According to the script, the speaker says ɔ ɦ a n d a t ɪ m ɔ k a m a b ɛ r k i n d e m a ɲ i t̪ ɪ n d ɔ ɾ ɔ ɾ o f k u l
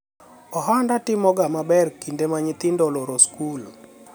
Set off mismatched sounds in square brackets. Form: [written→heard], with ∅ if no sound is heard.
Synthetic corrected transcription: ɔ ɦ a n d a t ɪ m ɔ [k→ɡ] a m a b ɛ r k i n d e m a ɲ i t̪ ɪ n d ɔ [ɾ→l] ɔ ɾ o [f→s] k u l